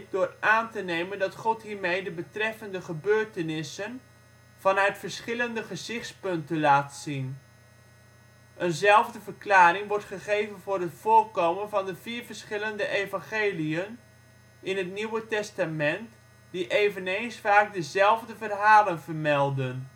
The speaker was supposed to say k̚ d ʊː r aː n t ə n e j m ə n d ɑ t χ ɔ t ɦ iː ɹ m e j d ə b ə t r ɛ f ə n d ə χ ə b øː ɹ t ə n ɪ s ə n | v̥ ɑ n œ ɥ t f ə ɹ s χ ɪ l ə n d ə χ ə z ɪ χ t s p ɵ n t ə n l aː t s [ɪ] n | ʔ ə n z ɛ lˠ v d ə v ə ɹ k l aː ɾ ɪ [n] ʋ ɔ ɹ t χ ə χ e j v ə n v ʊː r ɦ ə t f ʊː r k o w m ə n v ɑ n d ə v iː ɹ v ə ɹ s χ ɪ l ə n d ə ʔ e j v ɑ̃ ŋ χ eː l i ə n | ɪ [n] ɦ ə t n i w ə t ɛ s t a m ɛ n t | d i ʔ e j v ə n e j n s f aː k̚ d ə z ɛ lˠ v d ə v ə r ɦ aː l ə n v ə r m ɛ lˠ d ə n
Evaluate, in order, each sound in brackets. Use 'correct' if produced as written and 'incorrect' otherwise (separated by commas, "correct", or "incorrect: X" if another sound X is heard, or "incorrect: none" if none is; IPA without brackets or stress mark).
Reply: incorrect: i, incorrect: ŋ, correct